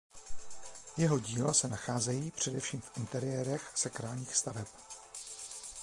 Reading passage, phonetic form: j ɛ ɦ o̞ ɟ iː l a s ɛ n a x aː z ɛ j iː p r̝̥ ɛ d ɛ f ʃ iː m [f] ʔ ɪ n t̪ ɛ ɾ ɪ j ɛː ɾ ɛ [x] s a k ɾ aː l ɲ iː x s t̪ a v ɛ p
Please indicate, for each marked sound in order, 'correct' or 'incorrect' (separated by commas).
correct, correct